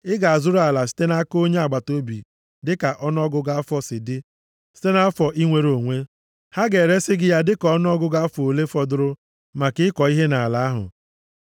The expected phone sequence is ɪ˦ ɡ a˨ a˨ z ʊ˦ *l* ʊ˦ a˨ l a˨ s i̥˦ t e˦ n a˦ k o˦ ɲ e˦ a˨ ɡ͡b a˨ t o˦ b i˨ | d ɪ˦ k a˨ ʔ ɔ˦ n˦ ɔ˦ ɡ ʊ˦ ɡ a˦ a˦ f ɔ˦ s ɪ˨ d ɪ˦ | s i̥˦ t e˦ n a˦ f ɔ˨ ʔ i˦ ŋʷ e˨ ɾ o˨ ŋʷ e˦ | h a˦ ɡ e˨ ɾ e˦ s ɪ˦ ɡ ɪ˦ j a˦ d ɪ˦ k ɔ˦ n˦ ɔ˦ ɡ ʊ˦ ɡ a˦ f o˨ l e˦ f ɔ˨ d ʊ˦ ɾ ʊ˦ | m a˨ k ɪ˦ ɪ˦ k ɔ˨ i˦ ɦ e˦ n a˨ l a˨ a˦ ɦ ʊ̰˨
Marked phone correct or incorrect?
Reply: incorrect